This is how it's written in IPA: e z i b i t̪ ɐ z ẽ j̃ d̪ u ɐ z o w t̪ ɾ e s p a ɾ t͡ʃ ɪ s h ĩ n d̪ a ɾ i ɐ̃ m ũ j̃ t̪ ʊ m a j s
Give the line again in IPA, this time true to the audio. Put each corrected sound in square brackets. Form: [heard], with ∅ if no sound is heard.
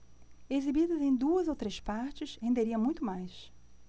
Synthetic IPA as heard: e z i b i [d̪] ɐ z ẽ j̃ d̪ u ɐ z o w t̪ ɾ e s p a ɾ t͡ʃ ɪ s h [ẽ] n d̪ [e] ɾ i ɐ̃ m ũ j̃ t̪ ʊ m a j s